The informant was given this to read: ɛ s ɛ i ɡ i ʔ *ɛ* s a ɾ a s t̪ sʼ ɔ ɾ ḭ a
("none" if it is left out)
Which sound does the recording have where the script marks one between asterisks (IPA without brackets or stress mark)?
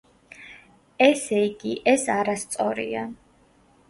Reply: ɛ